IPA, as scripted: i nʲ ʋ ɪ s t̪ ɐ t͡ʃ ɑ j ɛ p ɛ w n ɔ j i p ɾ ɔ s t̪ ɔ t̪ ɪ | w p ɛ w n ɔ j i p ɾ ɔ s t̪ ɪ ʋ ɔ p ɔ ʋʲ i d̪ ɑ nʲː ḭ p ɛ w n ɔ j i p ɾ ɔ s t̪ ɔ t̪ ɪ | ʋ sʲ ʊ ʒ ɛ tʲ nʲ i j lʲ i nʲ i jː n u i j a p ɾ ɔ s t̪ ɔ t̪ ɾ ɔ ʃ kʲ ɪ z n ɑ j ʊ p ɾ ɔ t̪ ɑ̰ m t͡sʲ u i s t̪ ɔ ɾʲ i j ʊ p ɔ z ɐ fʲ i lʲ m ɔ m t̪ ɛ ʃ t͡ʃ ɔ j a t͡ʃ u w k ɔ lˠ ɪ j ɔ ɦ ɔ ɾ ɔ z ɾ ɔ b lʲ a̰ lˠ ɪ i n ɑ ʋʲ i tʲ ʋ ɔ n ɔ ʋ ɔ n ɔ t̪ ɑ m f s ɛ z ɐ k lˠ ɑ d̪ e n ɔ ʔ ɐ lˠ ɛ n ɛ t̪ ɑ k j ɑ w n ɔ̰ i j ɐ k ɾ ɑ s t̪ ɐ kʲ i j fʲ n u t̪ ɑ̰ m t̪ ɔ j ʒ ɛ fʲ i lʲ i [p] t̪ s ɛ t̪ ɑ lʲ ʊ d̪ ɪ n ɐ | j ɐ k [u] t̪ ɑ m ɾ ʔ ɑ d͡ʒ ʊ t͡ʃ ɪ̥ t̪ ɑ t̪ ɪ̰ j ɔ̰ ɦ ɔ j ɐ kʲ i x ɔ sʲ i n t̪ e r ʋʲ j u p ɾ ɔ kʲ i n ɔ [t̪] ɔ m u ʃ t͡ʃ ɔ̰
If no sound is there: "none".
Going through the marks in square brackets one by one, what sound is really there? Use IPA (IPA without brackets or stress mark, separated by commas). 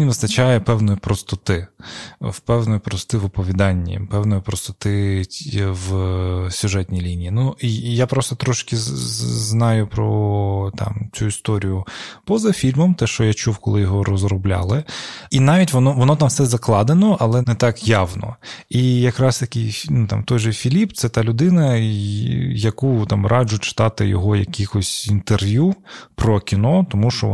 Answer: p, u, t̪